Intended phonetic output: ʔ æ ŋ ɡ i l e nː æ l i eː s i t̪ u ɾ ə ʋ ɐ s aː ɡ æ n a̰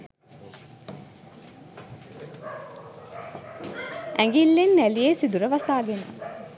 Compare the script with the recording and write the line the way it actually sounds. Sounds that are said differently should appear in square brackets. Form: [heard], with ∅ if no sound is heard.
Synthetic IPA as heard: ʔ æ ŋ ɡ i [lː] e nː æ l i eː s i [d̪] u ɾ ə ʋ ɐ s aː ɡ [e] n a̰